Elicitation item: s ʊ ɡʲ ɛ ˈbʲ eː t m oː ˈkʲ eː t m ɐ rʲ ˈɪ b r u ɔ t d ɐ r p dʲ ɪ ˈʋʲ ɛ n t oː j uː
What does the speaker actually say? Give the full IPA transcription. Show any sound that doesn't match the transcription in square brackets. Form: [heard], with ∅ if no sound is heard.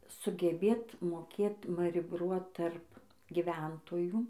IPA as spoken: s ʊ ɡʲ ɛ ˈbʲ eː t m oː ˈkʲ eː t m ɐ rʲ ˈɪ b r u ɔ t [t] ɐ r p [ɡʲ] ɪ ˈʋʲ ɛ n t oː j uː

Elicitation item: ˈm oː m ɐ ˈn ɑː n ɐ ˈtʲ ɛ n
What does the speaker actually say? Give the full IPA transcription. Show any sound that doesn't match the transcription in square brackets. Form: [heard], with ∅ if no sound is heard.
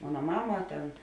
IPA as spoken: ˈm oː [n] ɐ [ˈm] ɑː [m] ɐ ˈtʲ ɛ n

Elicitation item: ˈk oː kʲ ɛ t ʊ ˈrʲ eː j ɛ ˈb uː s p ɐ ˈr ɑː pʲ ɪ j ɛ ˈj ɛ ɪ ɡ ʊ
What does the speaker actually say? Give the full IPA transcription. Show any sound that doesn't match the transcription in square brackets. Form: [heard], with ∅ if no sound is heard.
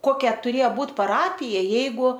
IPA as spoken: ˈk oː kʲ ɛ t ʊ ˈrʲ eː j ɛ ˈb uː [t] p ɐ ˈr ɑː pʲ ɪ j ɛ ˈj ɛ ɪ ɡ ʊ

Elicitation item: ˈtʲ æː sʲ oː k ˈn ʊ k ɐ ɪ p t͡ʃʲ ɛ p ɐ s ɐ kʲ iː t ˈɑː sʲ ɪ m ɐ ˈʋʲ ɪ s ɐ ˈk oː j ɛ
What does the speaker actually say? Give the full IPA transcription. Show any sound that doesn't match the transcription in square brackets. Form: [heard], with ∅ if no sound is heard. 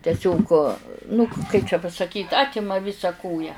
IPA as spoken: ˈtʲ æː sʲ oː k ˈn ʊ k ɐ ɪ p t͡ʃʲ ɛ p ɐ s ɐ kʲ iː t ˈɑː [tʲ] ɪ m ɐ ˈʋʲ ɪ s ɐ ˈk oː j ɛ

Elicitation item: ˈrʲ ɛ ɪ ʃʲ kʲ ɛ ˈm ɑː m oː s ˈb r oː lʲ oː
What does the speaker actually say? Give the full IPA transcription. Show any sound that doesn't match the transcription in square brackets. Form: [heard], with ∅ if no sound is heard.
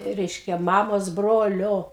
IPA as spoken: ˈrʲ ɛ ɪ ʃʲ kʲ ɛ ˈm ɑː m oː s ˈb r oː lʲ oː

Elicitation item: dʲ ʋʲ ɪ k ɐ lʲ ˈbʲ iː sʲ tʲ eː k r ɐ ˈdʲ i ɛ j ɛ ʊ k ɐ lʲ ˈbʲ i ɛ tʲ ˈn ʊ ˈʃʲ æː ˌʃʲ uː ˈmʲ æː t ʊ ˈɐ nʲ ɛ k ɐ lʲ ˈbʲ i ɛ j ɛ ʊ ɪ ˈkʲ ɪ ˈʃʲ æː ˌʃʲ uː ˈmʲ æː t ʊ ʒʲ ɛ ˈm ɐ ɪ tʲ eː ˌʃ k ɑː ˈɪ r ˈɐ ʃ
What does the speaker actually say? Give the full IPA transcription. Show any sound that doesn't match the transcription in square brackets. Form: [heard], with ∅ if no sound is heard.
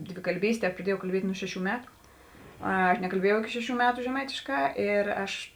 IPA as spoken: dʲ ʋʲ ɪ k ɐ lʲ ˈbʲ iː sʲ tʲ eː [p] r ɐ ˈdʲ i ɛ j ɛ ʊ k ɐ lʲ ˈbʲ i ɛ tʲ ˈn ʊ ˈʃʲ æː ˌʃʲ uː ˈmʲ æː t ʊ ˈɐ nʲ ɛ k ɐ lʲ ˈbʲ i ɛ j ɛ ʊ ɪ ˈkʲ ɪ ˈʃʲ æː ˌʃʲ uː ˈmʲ æː t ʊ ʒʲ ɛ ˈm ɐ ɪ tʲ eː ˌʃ k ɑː ˈɪ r ˈɐ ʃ

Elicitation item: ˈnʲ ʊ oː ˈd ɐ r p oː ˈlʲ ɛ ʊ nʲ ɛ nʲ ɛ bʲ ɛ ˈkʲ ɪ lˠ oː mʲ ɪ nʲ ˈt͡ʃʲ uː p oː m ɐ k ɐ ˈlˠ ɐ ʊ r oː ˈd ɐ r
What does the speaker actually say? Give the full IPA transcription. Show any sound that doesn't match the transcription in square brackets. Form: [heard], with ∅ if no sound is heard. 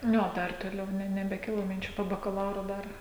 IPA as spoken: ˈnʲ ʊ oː ˈd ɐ r [t] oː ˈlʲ ɛ ʊ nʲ ɛ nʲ ɛ bʲ ɛ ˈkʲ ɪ lˠ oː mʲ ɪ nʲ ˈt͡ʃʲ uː p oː [b] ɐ k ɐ ˈlˠ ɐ ʊ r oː ˈd ɐ r

